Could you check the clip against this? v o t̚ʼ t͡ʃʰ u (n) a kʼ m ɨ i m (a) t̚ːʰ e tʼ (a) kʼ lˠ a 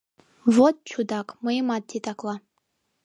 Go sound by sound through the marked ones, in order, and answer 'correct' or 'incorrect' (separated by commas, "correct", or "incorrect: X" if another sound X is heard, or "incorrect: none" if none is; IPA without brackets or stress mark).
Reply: incorrect: d, correct, correct